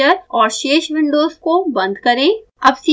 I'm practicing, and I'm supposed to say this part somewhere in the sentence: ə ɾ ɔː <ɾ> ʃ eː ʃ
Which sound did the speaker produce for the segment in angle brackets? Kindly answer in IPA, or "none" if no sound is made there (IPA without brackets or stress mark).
ɾ